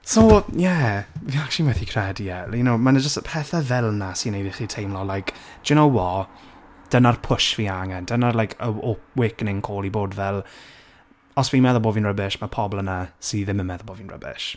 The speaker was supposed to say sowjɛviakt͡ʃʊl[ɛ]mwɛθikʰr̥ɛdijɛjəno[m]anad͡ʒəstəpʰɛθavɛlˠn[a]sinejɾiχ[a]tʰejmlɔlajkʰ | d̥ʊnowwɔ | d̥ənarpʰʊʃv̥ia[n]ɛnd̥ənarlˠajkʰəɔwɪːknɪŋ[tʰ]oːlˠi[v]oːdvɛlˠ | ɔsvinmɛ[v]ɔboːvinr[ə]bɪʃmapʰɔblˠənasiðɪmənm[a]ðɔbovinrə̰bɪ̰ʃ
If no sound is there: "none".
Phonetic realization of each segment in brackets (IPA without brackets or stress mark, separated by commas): i, m, a, i, ŋ, kʰ, b, ð, ə, ɛ